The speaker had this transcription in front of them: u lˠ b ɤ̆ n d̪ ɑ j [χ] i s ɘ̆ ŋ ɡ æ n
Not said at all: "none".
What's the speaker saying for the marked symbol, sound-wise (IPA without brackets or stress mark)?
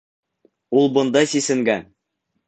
s